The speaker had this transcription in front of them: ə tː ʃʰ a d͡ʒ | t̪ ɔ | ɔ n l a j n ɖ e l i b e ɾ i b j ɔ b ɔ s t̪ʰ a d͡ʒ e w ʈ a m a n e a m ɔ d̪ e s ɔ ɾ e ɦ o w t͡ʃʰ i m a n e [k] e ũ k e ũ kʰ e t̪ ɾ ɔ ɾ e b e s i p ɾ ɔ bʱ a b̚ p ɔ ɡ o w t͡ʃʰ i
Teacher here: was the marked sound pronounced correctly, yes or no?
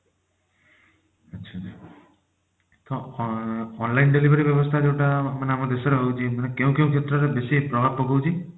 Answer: yes